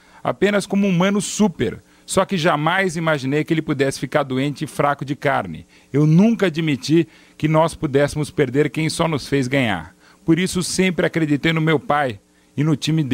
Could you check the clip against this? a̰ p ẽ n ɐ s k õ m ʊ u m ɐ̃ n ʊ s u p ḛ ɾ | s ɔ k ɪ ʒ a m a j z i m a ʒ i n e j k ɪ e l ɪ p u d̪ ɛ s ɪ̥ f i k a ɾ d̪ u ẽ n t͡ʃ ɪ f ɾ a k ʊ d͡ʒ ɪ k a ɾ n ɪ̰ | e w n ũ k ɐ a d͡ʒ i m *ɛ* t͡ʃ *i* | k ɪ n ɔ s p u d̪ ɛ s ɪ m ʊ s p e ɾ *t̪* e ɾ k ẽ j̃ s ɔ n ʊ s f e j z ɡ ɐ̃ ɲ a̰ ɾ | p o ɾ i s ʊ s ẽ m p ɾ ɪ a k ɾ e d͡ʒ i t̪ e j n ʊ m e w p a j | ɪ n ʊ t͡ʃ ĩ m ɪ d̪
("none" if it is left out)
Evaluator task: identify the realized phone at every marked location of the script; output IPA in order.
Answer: i, i, d̪

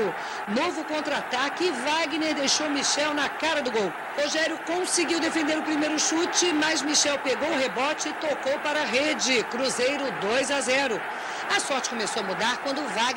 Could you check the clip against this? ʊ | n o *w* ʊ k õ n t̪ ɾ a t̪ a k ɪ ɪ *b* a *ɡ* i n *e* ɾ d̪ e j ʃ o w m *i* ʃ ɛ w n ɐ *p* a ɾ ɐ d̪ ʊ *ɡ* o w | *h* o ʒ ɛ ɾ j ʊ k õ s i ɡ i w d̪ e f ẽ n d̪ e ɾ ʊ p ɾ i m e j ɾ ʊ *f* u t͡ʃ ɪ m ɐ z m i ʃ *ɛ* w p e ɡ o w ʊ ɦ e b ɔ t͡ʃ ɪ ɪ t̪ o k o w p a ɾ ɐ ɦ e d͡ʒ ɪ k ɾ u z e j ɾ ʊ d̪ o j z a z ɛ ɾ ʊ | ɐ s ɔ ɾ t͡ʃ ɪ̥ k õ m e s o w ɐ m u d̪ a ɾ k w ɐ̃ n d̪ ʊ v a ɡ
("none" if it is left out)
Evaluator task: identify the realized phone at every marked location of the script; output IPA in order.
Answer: v, v, ɡ, e, i, k, ɡ, h, ʃ, ɛ

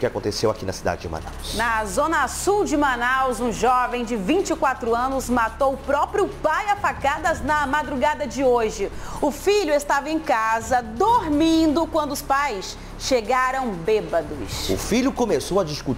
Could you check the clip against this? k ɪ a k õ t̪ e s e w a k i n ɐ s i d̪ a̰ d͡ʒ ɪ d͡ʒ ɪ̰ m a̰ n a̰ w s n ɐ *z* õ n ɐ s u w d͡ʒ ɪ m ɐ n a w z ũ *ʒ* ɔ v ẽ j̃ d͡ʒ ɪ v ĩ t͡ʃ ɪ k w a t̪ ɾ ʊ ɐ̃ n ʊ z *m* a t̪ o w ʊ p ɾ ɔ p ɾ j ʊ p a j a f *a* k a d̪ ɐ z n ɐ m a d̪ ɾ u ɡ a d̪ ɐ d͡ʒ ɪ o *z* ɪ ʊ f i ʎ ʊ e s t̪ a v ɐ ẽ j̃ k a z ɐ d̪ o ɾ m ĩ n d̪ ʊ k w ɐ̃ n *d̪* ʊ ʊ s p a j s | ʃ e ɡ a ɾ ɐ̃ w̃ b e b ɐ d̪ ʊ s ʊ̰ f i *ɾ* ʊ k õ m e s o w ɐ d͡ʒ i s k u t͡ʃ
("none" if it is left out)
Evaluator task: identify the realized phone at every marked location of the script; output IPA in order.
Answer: z, ʒ, m, a, ʒ, d̪, ʎ

